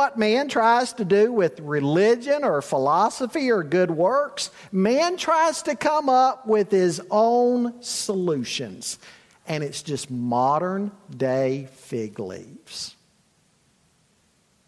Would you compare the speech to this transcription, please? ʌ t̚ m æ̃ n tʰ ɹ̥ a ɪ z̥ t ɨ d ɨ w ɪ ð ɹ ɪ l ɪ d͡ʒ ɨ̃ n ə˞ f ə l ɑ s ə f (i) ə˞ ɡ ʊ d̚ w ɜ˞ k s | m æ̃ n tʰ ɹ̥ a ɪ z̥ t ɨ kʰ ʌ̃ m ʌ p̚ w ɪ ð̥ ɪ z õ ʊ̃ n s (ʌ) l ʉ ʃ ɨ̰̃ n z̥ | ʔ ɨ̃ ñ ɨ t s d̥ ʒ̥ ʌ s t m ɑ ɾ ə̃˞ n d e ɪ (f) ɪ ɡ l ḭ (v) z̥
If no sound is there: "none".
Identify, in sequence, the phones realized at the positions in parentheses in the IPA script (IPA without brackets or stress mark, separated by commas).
i, ə, f, v